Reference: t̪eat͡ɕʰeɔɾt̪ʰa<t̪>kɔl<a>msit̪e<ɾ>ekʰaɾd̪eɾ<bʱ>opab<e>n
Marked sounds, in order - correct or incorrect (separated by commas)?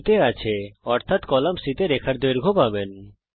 correct, correct, correct, incorrect, correct